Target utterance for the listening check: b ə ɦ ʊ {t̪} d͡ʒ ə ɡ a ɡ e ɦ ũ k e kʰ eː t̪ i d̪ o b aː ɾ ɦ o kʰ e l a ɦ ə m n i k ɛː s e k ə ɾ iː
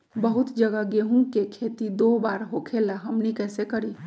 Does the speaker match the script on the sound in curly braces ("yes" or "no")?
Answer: yes